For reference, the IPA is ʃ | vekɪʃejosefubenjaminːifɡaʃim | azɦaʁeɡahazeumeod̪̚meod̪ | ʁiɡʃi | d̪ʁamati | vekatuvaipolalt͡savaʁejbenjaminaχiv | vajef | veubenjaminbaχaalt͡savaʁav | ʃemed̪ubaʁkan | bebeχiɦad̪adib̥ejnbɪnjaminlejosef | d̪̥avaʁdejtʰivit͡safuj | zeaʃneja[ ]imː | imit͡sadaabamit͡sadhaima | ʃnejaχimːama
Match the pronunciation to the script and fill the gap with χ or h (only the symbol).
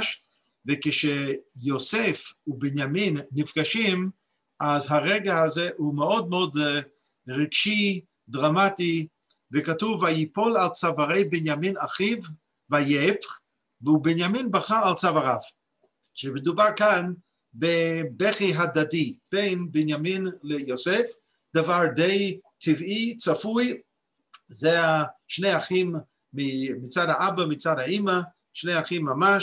χ